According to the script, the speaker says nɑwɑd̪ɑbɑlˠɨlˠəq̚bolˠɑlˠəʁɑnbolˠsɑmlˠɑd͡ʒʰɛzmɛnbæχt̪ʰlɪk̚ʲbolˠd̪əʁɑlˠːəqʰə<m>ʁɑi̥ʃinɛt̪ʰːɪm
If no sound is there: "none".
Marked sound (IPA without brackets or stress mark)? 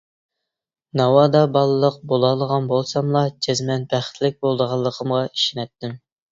m